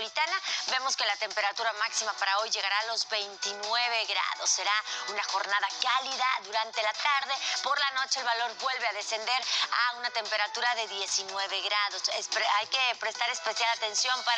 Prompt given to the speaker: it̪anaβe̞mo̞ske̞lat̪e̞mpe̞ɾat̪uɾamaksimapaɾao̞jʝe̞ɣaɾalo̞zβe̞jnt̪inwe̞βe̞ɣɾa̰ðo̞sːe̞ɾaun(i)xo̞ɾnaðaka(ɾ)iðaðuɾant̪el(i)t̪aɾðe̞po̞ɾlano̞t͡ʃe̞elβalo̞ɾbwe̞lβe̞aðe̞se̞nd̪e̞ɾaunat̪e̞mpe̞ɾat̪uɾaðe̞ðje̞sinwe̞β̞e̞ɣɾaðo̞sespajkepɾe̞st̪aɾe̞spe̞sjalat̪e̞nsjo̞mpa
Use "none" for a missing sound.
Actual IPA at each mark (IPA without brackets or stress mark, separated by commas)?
a, l, a